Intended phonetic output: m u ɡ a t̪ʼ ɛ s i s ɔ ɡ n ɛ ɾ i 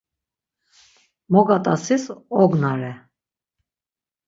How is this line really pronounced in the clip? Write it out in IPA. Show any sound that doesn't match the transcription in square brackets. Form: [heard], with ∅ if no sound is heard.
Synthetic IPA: m [ɔ] ɡ a t̪ʼ [a] s i s ɔ ɡ n [a] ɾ [ɛ]